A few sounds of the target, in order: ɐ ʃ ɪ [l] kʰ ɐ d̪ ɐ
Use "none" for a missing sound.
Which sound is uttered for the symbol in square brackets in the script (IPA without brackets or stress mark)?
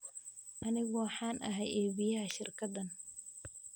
r